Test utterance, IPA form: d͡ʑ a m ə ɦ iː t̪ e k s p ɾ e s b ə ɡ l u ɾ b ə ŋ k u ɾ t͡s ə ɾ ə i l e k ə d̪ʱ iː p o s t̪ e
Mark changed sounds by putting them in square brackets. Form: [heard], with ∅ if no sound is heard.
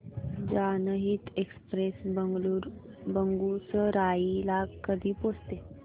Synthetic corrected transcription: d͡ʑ a [n] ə ɦ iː t̪ e k s p ɾ e s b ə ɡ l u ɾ b ə ŋ [ɡ] u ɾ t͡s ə ɾ [a] i l [a] k ə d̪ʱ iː p o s t̪ e